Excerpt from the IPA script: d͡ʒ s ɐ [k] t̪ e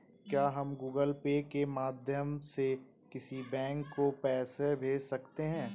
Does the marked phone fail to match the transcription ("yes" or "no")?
no